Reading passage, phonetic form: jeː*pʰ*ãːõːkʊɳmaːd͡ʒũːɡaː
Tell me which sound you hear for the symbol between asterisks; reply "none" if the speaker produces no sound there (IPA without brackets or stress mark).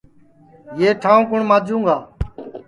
ʈʰ